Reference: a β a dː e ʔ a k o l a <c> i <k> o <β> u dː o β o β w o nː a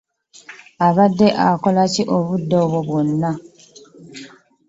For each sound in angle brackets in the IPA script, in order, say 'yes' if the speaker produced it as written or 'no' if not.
yes, no, yes

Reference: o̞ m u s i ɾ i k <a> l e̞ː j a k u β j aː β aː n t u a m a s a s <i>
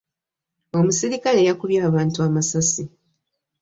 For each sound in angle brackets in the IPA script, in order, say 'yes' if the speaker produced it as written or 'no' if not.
yes, yes

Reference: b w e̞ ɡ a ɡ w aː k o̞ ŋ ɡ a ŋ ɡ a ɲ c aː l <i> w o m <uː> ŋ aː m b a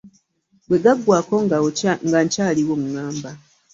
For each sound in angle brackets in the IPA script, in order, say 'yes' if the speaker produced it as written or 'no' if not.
yes, no

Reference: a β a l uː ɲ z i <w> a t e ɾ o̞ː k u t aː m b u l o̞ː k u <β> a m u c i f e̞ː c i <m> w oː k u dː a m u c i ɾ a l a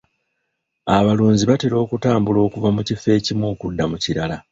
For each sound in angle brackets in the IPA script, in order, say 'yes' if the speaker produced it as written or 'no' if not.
no, no, yes

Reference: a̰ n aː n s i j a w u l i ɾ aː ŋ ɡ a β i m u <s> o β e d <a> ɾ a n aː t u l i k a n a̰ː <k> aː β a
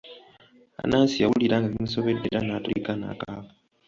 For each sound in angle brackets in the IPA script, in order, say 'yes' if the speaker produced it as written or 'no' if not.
yes, no, yes

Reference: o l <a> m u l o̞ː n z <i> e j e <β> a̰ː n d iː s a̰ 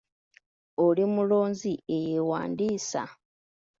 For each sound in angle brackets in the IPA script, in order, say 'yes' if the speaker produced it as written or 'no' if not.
no, yes, no

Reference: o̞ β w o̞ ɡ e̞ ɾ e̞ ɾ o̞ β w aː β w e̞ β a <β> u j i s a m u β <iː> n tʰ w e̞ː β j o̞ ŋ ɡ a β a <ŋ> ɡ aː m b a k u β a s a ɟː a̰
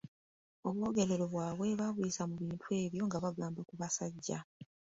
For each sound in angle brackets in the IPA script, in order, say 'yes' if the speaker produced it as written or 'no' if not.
yes, yes, no

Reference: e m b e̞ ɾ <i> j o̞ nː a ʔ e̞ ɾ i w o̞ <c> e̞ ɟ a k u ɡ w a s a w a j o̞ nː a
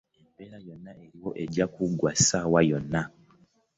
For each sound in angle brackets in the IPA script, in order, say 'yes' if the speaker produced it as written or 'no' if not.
no, no

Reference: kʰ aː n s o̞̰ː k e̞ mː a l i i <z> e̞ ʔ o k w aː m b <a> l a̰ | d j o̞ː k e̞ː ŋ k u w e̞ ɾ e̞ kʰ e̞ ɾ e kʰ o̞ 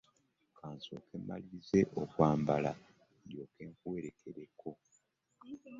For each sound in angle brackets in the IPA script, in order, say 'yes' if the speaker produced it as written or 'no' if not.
yes, yes

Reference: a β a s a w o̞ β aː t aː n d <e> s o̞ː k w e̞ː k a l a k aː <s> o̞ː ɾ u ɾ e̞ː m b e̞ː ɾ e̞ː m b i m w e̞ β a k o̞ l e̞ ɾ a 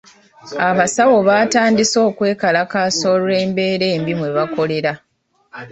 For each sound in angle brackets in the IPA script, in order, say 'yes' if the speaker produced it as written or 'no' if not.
no, yes

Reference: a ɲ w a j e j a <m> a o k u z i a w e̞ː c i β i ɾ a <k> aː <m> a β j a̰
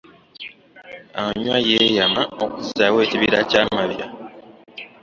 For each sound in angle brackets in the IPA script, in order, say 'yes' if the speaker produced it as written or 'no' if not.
yes, no, yes

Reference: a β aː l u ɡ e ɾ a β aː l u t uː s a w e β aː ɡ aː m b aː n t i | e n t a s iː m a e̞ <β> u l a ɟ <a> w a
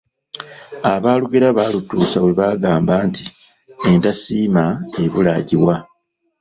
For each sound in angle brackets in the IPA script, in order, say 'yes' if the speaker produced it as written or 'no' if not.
yes, no

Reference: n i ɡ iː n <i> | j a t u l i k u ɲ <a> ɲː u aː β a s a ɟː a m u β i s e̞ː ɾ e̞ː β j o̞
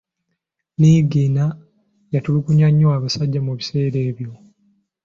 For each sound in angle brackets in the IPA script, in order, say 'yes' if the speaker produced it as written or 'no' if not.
no, yes

